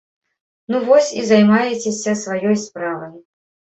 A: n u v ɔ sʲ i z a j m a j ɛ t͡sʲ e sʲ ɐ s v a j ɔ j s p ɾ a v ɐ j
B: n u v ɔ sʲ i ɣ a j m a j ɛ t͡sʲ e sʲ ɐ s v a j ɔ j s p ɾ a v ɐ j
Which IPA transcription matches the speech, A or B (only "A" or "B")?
A